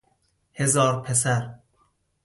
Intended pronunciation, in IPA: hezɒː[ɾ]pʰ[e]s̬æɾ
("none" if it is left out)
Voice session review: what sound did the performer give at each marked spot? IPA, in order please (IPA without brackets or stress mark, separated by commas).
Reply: ɾ, e